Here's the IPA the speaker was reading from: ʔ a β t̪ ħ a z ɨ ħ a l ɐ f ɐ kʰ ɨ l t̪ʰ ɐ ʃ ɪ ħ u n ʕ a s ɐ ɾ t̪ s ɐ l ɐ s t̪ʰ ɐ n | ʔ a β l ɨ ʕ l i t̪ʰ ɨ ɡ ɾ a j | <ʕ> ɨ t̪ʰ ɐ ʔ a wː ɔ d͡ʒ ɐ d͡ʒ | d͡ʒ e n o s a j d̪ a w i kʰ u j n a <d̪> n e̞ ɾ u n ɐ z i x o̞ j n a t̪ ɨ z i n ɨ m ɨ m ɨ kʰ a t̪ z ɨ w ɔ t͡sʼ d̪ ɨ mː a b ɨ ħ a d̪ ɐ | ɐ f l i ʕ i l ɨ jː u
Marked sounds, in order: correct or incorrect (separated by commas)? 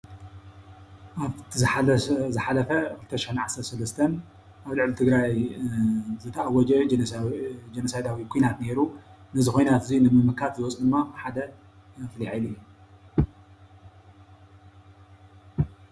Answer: incorrect, incorrect